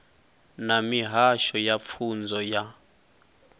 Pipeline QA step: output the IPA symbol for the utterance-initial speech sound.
n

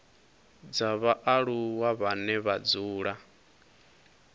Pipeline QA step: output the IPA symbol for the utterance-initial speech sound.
d͡z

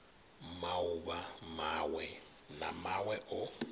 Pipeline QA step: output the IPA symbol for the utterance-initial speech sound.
m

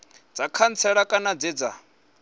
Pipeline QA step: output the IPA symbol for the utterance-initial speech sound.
d͡z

